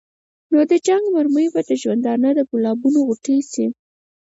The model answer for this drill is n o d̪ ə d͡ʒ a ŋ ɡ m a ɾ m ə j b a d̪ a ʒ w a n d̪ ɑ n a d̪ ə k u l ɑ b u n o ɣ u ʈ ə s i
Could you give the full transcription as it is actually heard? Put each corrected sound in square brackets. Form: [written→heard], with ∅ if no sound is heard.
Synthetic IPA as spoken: n o d̪ ə d͡ʒ a ŋ ɡ m a ɾ m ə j b a d̪ [a→ə] ʒ w a n d̪ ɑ n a d̪ ə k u l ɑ b u n o ɣ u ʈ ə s i